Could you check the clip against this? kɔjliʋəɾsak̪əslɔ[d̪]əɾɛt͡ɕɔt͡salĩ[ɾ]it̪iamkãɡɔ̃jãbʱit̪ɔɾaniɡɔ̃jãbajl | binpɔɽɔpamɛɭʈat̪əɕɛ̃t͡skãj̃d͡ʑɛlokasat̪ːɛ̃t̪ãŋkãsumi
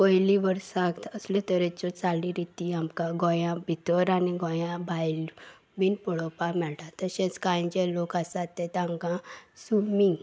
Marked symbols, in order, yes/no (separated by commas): no, yes